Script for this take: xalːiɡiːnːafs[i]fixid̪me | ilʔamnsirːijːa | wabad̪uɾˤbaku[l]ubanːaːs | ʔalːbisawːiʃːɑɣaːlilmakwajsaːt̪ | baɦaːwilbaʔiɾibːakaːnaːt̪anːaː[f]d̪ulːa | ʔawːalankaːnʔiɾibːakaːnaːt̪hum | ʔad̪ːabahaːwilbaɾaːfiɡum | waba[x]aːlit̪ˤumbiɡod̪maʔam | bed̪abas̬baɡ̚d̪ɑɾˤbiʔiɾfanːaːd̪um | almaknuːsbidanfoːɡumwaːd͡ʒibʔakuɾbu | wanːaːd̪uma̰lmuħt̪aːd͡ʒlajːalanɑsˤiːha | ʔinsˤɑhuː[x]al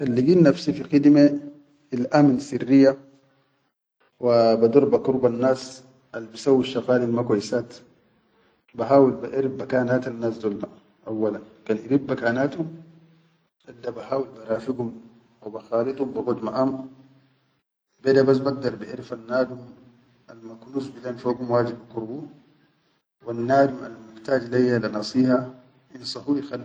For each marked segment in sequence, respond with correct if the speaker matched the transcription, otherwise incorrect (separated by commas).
correct, incorrect, incorrect, correct, correct